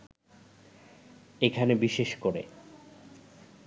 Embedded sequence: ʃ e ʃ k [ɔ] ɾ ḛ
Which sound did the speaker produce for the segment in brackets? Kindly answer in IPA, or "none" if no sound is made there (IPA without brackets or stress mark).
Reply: o